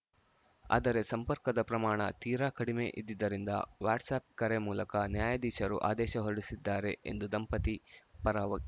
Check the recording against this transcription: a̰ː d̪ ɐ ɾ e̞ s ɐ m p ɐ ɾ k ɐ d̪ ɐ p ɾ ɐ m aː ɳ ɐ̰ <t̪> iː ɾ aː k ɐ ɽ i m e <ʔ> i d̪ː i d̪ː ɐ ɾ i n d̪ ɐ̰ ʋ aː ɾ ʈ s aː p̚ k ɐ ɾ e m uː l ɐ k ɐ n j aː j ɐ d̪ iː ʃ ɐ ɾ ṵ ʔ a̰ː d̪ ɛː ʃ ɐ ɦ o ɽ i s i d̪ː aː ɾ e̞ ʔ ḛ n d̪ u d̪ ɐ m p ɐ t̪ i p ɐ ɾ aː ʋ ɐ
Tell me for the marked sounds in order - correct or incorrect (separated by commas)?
correct, correct